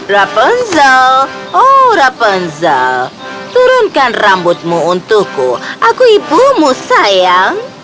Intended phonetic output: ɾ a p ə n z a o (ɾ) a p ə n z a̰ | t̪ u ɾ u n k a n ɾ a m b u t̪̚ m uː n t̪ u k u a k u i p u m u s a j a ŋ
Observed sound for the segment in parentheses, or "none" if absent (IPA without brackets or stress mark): ɾ